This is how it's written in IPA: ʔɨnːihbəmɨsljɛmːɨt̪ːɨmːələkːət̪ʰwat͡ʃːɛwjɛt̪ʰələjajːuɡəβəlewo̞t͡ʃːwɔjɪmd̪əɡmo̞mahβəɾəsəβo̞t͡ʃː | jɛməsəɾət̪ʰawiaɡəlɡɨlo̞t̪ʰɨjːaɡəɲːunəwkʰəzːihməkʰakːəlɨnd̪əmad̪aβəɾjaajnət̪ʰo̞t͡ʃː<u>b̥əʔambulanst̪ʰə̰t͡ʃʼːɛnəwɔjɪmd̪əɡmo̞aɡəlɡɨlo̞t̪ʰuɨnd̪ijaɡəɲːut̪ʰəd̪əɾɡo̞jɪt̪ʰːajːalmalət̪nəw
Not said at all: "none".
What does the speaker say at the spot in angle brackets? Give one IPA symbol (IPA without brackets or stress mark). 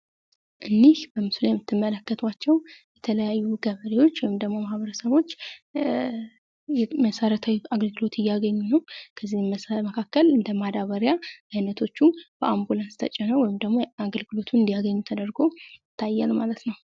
u